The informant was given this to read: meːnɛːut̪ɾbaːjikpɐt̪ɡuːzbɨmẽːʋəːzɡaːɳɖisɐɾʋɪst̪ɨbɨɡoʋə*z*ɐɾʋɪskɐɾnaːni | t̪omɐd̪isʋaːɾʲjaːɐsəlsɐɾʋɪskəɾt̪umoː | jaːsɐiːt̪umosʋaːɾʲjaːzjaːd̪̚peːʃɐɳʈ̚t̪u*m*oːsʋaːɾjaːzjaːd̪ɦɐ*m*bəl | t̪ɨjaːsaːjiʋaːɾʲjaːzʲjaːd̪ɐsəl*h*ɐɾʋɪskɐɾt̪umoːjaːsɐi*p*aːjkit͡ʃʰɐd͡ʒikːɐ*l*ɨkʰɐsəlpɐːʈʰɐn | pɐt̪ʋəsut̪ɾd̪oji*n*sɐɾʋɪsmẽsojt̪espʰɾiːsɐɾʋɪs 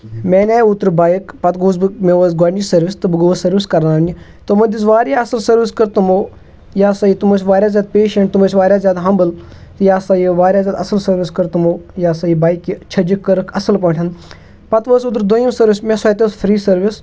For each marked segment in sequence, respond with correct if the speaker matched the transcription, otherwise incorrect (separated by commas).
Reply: incorrect, correct, correct, incorrect, incorrect, incorrect, incorrect